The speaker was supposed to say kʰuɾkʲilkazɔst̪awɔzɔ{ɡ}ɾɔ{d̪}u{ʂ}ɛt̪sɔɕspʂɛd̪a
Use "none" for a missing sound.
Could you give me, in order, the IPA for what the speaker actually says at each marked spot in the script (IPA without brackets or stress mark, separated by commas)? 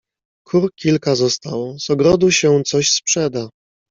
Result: ɡ, d̪, ɕ